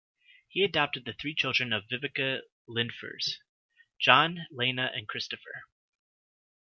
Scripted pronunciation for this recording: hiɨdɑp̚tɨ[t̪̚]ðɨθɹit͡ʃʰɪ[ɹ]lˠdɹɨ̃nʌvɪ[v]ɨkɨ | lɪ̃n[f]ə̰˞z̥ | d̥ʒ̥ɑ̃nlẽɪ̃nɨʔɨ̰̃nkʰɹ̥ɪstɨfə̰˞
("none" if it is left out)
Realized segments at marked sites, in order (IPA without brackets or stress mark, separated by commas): d̪̚, none, v, f